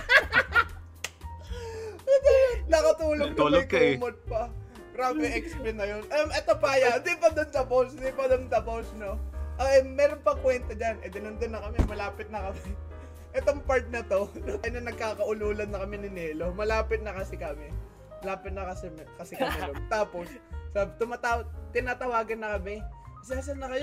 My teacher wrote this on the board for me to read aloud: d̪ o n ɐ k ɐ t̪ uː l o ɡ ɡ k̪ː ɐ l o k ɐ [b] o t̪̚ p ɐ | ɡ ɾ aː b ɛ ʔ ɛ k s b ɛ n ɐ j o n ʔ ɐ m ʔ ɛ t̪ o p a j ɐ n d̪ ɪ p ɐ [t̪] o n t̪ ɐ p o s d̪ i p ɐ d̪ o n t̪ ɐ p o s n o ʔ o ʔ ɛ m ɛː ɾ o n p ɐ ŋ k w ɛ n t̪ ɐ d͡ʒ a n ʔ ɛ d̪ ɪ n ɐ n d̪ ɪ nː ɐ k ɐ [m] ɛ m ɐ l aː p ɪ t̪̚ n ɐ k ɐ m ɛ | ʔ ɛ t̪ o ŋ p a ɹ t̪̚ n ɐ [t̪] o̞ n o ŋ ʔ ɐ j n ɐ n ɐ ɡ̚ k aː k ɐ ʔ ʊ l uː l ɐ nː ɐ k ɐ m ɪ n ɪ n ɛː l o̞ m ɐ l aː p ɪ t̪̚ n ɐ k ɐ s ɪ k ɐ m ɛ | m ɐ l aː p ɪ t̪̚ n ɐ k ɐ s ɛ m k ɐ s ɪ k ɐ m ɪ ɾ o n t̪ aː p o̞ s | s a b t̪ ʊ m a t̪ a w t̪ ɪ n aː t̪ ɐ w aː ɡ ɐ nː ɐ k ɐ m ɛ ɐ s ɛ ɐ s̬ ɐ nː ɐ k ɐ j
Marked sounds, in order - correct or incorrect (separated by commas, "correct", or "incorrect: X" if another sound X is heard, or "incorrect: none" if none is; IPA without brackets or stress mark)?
incorrect: m, incorrect: d̪, correct, correct